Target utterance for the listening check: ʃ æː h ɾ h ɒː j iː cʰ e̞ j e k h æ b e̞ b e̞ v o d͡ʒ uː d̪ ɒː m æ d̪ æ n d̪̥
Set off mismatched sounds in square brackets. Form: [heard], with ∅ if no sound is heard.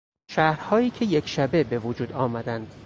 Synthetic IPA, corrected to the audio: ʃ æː h ɾ h ɒː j iː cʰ e̞ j e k [ʃ] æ b e̞ b e̞ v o d͡ʒ uː d̪ ɒː m æ d̪ æ n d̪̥